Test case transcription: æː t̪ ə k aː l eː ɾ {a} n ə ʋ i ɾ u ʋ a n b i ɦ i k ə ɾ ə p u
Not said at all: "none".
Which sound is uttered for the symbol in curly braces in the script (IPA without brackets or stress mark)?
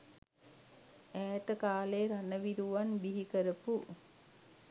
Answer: a